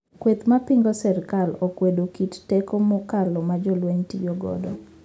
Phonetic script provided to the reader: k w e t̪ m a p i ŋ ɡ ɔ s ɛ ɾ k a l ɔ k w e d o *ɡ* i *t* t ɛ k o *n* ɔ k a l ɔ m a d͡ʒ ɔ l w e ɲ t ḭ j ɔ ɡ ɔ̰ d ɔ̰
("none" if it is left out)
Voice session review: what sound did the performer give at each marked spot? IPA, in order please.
k, t, m

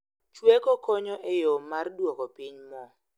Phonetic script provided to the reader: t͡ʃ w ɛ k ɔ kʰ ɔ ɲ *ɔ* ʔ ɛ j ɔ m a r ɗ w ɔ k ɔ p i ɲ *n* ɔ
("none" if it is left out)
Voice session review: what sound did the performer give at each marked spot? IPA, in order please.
ɔ, m

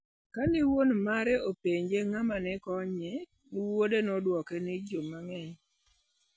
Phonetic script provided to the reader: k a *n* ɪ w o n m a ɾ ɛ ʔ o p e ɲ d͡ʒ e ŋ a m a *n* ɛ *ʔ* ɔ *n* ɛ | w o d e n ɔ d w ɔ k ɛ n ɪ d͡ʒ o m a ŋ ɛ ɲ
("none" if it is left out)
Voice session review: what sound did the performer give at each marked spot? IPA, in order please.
n, n, k, ɲ

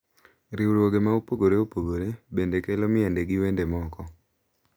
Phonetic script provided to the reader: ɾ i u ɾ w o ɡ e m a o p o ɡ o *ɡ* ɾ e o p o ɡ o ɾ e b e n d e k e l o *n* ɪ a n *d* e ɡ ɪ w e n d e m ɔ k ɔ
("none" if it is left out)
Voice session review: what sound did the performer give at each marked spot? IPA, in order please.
none, m, d

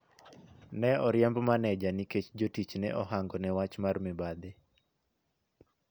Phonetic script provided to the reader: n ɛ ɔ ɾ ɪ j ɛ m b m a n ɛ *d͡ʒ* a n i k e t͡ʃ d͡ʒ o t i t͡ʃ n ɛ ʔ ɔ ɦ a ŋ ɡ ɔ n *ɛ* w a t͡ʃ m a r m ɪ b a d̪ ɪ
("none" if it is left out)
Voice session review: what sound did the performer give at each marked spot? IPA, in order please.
d͡ʒ, ɛ

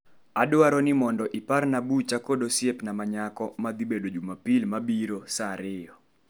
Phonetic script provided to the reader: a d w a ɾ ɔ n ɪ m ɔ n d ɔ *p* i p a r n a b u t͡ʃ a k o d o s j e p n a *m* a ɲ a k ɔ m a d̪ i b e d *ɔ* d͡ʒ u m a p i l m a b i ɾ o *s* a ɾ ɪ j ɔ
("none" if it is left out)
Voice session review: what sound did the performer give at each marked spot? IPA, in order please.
ʔ, m, o, s

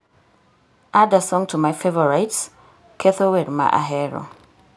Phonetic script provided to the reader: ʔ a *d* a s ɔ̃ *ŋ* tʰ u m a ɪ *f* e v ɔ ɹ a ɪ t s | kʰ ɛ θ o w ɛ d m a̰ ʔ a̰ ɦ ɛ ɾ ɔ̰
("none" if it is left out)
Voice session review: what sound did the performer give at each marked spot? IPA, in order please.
d, ŋ, f

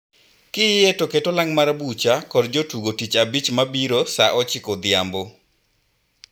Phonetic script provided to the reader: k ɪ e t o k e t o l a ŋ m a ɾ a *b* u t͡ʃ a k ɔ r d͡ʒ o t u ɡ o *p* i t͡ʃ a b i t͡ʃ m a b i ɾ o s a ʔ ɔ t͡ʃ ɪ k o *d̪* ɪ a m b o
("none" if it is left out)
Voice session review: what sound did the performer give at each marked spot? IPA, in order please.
b, t, d̪

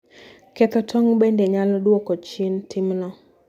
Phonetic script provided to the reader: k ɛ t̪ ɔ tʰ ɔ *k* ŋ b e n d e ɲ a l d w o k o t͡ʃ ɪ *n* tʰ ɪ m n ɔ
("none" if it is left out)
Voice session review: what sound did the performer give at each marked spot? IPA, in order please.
none, n

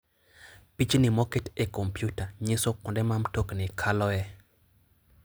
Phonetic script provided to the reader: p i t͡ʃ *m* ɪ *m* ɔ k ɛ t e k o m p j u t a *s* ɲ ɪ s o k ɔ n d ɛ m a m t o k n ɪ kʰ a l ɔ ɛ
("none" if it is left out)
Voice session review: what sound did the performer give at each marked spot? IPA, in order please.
n, m, none

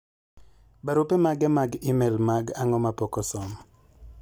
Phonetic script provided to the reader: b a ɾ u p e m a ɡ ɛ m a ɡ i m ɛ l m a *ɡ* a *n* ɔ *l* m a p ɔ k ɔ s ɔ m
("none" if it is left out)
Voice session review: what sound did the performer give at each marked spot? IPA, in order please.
ɡ, ŋ, none

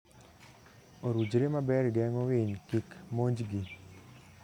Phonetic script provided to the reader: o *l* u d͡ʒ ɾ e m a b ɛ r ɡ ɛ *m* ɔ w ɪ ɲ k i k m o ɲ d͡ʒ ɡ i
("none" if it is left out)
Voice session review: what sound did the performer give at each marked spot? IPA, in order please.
ɾ, ŋ

